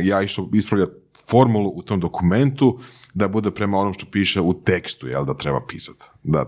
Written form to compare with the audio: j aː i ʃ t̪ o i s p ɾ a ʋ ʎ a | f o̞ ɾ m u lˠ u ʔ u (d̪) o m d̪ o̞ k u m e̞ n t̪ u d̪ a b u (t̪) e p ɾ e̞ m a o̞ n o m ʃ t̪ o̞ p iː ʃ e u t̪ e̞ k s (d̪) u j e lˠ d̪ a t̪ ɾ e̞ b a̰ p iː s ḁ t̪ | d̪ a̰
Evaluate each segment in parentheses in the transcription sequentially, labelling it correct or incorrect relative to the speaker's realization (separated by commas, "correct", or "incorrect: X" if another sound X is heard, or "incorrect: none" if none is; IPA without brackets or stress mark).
incorrect: t̪, incorrect: d̪, incorrect: t̪